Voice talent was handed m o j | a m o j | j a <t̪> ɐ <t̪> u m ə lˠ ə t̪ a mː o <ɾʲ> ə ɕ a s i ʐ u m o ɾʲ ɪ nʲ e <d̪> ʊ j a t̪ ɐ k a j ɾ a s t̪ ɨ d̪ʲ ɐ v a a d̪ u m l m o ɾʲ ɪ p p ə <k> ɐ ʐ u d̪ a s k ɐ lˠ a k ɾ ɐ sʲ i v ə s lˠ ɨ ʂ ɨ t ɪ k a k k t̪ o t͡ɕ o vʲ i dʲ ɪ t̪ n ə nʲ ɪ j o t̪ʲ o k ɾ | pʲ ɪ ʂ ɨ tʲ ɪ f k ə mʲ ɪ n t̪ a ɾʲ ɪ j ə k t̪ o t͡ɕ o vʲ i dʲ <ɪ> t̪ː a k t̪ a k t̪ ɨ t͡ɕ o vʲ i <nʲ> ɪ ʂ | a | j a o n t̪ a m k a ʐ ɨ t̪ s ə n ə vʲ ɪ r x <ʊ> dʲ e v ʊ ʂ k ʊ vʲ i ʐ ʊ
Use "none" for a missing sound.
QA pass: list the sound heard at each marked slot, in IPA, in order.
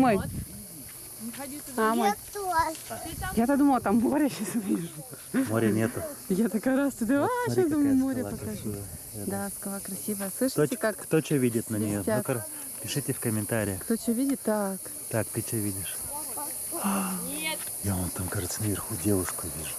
t̪, d̪, ɾʲ, t̪, k, ɪ, dʲ, u

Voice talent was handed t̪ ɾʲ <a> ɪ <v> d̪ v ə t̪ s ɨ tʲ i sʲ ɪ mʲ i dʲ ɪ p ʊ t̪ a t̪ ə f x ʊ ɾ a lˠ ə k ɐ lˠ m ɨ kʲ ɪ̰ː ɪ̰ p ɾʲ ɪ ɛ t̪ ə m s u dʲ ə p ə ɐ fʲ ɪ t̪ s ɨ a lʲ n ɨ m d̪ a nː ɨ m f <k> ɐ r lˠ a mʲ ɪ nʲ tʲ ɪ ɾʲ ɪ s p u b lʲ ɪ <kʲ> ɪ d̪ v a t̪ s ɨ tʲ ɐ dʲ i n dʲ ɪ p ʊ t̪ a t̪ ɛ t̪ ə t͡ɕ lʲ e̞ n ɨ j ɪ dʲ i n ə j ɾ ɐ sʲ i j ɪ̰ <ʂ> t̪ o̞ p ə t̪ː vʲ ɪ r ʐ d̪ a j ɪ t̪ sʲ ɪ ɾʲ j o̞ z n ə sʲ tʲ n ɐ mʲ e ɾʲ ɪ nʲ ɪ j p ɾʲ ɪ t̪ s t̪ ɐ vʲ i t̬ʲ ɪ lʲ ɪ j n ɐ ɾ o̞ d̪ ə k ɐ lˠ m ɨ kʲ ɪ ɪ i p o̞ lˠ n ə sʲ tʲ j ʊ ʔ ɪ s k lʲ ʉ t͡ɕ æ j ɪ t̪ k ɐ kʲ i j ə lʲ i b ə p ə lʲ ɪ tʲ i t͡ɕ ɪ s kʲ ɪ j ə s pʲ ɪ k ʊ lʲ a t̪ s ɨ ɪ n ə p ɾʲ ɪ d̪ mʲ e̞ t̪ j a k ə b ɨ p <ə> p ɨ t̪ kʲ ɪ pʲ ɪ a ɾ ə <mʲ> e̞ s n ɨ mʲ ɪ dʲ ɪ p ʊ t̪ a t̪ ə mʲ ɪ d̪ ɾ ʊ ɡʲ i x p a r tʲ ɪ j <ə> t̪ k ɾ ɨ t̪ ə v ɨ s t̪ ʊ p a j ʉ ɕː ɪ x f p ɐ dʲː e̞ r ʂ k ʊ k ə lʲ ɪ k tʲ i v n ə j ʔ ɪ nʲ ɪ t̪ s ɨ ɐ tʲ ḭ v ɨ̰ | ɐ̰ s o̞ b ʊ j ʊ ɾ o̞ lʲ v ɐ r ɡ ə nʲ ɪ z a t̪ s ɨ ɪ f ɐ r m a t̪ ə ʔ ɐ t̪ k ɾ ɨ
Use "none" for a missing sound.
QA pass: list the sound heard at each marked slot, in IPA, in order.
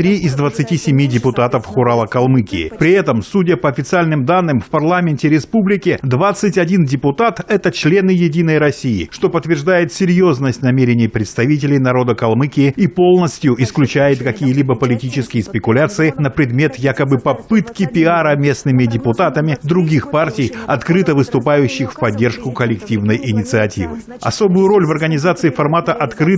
i, z, p, kʲ, ʂ, ɐ, mʲ, ɐ

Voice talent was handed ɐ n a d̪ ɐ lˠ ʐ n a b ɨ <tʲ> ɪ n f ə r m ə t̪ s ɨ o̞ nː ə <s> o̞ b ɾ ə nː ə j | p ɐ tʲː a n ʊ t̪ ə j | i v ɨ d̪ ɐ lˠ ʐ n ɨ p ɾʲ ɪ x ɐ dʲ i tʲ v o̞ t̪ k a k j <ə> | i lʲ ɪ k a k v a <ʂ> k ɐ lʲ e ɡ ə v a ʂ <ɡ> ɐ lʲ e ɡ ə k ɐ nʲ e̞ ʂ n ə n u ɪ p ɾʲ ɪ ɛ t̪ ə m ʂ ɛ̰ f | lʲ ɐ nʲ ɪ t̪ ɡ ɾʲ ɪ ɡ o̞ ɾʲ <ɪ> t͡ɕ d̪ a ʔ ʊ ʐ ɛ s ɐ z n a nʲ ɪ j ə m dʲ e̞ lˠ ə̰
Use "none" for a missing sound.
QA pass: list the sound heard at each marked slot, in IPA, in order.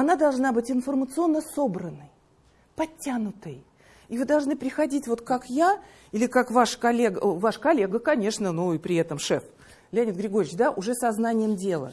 tʲ, s, a, ʂ, k, ɪ

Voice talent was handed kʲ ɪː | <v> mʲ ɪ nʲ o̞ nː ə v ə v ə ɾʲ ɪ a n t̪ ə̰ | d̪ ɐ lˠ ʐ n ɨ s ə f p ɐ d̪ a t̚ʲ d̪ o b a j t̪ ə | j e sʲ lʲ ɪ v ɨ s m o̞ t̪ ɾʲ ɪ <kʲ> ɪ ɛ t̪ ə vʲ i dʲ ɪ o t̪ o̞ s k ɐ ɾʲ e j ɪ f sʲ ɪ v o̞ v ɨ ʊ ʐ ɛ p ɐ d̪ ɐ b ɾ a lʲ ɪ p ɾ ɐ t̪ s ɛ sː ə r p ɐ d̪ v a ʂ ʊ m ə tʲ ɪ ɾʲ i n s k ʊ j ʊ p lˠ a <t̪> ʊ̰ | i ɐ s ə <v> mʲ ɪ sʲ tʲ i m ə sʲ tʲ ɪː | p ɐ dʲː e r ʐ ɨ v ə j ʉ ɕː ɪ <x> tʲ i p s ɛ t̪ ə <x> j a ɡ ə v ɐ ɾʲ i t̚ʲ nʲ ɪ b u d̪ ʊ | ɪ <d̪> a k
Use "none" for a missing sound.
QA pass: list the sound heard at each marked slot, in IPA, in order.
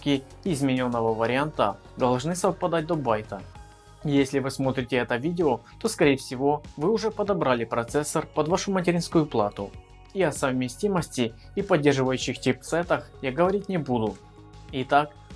z, tʲ, t̪, v, x, x, t̪

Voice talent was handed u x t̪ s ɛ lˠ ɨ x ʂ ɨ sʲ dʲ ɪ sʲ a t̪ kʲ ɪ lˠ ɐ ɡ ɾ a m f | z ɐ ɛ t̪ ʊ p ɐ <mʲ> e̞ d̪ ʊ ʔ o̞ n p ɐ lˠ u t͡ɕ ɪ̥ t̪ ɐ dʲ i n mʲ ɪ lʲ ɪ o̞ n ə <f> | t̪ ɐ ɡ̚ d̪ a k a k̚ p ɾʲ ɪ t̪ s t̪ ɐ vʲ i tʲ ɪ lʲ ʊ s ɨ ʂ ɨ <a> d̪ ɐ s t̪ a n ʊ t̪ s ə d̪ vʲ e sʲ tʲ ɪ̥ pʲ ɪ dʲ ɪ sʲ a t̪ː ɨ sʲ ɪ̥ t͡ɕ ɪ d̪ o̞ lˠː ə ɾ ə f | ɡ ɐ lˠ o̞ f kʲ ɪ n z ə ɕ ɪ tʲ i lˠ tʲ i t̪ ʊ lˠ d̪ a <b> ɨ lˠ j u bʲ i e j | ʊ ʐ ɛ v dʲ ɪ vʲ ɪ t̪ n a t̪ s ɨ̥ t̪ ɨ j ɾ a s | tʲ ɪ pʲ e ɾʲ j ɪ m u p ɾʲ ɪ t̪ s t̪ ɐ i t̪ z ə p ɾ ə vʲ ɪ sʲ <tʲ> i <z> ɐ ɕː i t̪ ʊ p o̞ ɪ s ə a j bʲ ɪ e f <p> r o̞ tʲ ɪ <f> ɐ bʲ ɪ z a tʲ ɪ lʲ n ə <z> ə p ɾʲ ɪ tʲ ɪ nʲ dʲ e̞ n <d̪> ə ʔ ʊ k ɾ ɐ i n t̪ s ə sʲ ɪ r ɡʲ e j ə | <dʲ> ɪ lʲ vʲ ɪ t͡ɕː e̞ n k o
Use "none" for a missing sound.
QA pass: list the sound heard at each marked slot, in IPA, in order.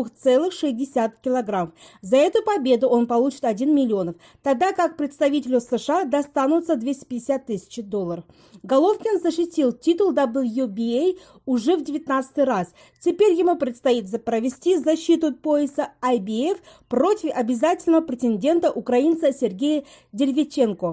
bʲ, f, a, b, tʲ, z, p, f, v, t̪, dʲ

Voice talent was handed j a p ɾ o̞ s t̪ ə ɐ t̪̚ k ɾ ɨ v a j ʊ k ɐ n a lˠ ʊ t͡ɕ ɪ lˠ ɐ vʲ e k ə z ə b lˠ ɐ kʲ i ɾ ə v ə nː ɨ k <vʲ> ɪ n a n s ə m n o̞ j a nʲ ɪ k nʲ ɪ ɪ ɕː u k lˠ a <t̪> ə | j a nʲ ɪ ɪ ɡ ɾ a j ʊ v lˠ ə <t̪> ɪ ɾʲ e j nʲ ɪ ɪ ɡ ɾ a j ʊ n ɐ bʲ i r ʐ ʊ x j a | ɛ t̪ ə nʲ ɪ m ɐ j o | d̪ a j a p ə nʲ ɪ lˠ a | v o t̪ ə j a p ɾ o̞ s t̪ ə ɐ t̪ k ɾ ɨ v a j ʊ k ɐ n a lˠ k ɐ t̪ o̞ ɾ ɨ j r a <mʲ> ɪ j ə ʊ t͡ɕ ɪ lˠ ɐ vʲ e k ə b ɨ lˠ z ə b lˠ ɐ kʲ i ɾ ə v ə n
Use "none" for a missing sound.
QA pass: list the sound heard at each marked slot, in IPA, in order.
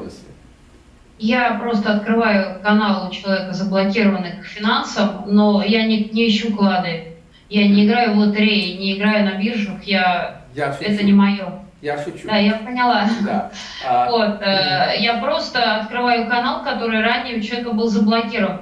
fʲ, d̪, t̪, nʲ

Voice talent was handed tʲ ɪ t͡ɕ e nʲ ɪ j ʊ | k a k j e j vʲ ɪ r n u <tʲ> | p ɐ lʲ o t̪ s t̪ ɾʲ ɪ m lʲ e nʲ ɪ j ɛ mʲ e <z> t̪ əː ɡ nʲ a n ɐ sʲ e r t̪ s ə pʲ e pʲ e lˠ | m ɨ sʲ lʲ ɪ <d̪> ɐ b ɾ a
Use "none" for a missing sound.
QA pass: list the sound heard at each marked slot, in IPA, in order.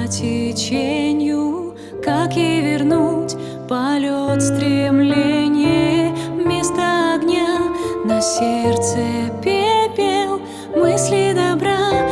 tʲ, s, d̪

